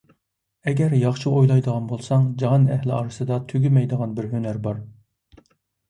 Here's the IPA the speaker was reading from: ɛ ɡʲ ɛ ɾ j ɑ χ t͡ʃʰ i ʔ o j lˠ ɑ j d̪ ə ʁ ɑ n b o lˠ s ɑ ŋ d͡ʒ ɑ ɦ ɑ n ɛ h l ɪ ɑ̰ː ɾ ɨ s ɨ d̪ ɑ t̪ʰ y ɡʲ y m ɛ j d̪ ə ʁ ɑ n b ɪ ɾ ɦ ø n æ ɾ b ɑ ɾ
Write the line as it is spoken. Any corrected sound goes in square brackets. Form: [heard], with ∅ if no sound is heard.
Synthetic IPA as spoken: ɛ ɡʲ ɛ ɾ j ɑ χ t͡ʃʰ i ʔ o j lˠ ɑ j d̪ ə ʁ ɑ n b o lˠ s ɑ ŋ d͡ʒ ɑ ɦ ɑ n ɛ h l ɪ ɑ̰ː ɾ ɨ s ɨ d̪ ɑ t̪ʰ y ɡʲ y m ɛ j d̪ ə ʁ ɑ n b ɪ ɾ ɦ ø n æ ɾ b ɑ ɾ